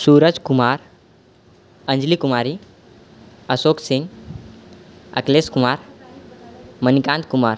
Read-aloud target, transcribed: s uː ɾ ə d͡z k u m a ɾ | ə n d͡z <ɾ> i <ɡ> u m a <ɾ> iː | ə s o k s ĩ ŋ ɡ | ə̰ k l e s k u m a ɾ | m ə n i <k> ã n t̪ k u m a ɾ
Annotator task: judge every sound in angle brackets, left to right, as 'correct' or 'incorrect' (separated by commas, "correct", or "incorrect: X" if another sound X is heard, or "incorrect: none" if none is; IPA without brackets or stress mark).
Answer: incorrect: l, incorrect: k, correct, correct